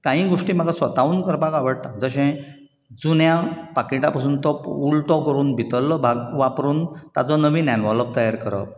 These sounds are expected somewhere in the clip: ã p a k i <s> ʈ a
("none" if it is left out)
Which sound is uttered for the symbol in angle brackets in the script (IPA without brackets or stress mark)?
none